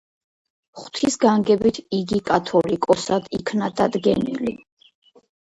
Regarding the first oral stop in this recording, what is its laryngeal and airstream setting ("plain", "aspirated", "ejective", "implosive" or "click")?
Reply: aspirated